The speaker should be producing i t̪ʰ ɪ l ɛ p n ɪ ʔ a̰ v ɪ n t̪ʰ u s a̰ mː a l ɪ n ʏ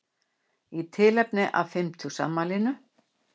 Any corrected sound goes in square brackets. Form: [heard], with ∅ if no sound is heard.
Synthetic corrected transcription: i t̪ʰ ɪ l ɛ p n ɪ ʔ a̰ [f] ɪ [m] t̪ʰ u s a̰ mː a l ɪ n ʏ